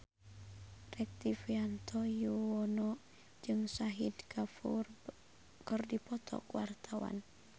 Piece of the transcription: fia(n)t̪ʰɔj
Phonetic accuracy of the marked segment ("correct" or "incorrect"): correct